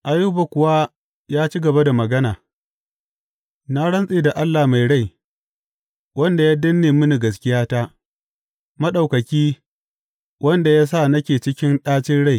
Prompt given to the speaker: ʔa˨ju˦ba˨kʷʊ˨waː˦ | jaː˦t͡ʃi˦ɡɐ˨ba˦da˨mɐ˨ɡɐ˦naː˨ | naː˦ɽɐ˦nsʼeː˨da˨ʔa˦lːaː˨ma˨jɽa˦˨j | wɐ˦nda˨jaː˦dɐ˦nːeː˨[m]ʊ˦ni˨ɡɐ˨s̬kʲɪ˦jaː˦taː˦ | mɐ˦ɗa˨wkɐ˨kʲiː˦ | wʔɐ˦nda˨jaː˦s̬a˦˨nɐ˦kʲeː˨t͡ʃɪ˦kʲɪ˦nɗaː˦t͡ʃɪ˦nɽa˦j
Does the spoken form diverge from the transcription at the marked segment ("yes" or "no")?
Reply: no